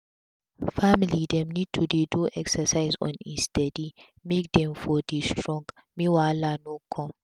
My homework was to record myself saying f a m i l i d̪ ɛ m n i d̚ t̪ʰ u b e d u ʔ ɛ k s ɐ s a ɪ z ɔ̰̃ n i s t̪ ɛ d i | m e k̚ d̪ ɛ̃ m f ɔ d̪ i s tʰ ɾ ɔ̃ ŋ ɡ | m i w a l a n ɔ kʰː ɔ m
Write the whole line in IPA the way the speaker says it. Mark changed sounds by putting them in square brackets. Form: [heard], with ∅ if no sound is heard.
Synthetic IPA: f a m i l i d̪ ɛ m n i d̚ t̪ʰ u [d] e d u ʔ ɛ k s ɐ s a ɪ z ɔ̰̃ n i s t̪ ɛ d i | m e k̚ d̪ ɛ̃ m f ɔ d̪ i s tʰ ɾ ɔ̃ ŋ ɡ | m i w a l a n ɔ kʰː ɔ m